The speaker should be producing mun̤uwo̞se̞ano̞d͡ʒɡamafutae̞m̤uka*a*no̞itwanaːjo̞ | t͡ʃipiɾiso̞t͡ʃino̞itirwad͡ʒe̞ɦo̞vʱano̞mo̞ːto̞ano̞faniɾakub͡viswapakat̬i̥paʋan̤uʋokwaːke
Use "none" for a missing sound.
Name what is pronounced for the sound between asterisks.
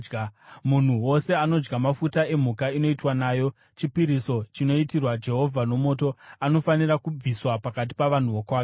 i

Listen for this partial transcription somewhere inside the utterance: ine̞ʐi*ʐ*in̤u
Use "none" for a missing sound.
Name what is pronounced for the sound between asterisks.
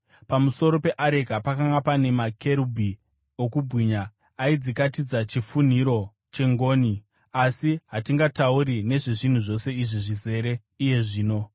ʐ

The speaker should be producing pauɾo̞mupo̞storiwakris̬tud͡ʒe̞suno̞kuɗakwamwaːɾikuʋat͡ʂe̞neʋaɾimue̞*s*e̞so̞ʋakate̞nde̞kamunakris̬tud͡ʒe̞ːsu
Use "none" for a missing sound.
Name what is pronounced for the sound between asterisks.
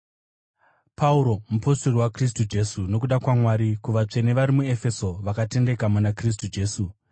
f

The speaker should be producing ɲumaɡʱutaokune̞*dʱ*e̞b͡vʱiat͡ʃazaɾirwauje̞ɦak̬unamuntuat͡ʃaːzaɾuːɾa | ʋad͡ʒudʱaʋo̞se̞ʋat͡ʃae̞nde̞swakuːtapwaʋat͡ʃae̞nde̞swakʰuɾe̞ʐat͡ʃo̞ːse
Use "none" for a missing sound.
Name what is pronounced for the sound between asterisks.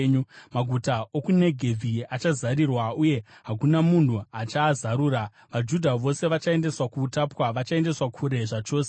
ɡʱ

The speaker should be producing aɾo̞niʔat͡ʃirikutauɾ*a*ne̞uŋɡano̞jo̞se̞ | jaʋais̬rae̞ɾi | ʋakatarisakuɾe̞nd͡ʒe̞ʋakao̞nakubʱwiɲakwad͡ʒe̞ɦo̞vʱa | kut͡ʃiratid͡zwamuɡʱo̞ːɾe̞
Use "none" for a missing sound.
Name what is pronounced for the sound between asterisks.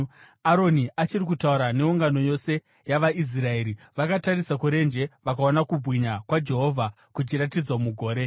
a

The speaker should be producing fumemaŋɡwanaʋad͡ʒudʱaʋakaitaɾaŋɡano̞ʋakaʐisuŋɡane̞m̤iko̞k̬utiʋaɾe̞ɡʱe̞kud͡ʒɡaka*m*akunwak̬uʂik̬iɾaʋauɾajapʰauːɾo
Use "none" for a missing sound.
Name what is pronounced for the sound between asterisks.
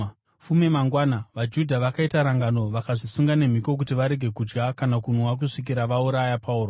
n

